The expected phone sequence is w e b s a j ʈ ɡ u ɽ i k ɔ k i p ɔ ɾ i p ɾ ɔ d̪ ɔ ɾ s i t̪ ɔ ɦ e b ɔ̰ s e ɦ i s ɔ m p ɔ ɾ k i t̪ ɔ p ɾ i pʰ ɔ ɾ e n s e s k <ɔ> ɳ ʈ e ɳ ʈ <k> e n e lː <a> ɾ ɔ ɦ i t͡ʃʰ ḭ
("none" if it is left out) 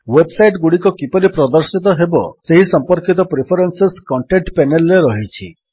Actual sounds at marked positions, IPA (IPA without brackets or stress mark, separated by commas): ɔ, p, e